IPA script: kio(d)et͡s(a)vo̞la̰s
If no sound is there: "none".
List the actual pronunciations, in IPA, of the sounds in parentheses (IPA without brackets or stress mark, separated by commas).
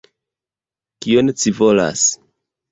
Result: n, i